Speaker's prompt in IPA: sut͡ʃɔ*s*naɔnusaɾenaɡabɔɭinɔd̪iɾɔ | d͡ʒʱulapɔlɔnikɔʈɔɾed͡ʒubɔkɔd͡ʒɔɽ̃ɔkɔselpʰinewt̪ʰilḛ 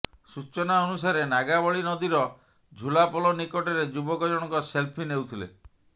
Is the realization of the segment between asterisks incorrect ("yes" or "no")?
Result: yes